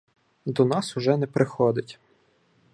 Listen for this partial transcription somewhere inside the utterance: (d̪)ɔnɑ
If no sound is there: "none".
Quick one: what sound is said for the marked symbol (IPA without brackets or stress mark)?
d̪